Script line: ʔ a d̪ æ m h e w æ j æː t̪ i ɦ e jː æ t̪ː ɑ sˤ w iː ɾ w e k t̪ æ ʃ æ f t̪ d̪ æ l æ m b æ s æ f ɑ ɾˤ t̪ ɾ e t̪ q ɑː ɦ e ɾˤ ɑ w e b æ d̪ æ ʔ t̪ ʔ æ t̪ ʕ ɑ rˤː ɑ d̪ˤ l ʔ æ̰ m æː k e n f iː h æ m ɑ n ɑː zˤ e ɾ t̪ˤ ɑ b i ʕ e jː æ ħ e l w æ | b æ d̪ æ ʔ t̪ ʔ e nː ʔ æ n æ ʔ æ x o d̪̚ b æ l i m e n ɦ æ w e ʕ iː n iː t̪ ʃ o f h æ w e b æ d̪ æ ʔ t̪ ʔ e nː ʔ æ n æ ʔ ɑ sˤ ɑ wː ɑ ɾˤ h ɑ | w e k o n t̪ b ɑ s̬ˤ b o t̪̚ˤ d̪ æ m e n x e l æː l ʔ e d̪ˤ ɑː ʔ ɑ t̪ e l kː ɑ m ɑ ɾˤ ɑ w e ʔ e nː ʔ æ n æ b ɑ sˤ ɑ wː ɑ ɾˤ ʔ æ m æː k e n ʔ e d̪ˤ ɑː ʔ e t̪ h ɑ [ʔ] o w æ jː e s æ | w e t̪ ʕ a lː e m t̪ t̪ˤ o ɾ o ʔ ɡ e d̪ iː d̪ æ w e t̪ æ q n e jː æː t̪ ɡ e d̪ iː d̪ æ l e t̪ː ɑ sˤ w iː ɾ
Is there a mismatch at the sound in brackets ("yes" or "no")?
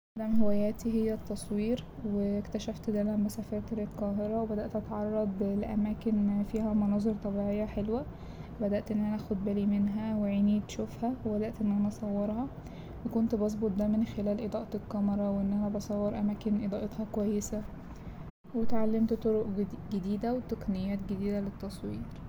yes